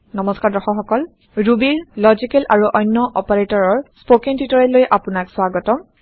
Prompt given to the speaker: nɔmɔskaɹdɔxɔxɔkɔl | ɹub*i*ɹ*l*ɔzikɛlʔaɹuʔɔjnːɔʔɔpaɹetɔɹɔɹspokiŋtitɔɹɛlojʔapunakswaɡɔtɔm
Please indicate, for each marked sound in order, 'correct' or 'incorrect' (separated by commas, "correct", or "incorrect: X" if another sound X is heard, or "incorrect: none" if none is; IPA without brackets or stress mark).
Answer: correct, correct